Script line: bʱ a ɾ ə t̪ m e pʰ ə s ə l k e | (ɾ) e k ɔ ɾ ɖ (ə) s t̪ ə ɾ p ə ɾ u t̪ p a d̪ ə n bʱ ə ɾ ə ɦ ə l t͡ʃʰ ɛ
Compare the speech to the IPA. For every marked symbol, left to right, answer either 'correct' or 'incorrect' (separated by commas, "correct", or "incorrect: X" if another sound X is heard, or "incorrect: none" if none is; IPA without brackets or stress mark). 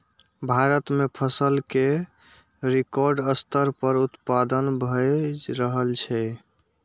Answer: correct, correct